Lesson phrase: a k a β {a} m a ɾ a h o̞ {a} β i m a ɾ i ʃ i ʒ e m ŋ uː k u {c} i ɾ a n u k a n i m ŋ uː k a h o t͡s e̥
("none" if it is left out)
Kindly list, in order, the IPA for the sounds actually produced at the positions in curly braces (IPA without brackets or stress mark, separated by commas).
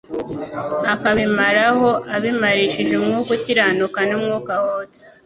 i, a, c